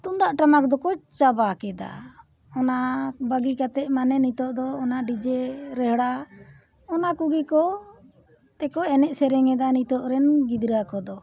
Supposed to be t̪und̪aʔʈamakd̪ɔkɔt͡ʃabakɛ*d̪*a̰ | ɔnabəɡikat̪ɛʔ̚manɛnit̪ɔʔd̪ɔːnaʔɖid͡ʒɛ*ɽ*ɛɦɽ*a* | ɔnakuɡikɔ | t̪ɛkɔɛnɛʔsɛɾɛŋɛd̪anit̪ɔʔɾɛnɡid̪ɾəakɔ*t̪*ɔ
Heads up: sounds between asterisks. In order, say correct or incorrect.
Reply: correct, incorrect, correct, incorrect

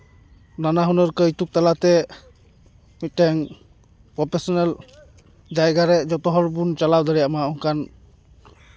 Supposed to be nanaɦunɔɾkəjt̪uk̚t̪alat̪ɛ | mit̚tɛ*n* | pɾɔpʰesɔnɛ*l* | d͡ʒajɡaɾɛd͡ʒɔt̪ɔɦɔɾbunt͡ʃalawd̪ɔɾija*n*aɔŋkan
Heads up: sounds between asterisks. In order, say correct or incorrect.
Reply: incorrect, correct, incorrect

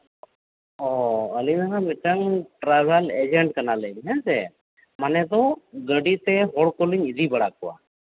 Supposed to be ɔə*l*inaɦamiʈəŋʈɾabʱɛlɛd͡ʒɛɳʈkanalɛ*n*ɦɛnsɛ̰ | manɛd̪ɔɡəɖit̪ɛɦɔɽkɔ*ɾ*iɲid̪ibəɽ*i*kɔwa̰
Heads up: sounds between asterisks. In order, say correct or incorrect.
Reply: correct, incorrect, incorrect, incorrect

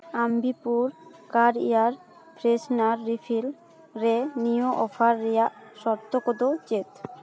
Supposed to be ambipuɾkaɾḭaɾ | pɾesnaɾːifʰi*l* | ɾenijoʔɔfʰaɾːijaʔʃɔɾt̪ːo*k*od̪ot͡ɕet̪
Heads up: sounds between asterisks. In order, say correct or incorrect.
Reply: correct, correct

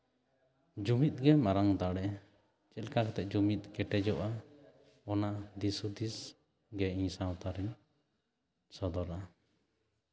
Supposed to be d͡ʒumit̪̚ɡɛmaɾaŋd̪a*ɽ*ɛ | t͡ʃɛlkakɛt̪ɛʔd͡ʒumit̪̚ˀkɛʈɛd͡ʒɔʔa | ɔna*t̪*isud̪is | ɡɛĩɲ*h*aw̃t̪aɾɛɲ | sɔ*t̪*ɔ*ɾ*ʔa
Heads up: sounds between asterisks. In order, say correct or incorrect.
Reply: correct, incorrect, incorrect, incorrect, correct

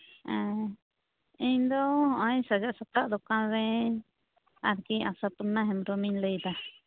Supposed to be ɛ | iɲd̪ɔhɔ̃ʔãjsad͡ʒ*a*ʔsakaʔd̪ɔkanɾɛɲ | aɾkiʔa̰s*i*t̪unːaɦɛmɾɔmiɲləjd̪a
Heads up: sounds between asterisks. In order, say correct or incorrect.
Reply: correct, incorrect

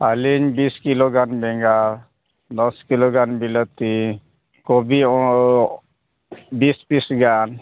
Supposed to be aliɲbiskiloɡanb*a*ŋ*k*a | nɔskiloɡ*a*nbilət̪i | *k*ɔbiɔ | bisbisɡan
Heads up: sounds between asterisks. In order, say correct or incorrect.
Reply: incorrect, incorrect, correct, correct

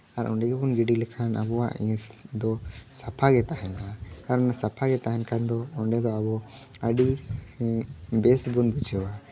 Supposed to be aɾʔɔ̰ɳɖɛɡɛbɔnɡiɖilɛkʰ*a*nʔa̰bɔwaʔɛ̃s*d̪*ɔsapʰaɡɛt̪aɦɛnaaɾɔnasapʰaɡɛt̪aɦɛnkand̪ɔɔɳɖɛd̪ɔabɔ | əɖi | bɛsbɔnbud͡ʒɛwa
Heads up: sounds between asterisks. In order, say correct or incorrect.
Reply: correct, correct

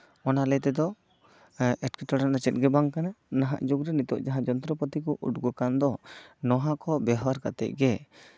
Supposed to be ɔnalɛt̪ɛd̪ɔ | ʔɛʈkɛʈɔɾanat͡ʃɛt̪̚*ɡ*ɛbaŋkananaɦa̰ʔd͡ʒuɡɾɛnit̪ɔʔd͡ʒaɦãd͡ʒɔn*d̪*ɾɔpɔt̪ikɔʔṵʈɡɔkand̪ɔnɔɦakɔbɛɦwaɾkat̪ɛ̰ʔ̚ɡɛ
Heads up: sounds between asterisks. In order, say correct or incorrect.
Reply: correct, incorrect

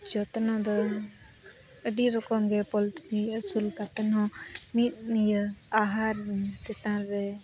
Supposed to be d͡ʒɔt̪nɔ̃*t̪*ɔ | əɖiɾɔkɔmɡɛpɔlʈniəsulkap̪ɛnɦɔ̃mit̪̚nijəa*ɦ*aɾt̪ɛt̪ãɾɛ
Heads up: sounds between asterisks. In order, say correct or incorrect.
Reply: incorrect, correct

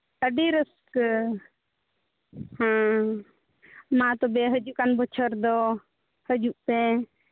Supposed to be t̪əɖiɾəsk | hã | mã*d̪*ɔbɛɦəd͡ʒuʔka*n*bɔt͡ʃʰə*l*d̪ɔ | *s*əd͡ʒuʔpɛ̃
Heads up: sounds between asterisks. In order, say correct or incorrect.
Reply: incorrect, correct, incorrect, incorrect

